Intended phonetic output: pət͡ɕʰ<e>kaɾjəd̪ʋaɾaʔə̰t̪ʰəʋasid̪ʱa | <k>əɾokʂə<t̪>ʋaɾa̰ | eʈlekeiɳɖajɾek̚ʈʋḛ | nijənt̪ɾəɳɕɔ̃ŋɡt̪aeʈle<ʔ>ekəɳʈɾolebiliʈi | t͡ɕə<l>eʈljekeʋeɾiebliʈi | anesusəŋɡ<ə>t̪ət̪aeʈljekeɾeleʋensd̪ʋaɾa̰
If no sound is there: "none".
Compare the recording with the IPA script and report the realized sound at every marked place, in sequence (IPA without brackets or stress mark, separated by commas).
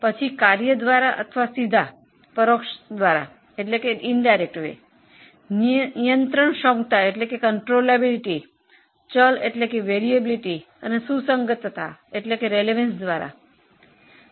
i, p, d̪, k, l, ə